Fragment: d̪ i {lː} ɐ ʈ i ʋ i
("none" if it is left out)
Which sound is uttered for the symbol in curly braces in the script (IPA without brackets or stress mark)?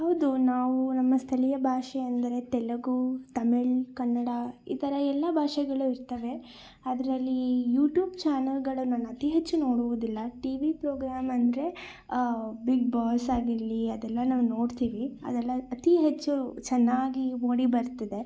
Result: lː